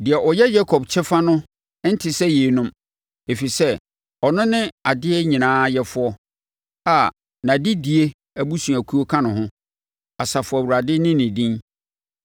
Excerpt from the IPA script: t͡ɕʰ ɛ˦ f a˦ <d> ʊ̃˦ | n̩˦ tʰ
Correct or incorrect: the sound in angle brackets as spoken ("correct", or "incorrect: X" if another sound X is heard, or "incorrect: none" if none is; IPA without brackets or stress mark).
incorrect: n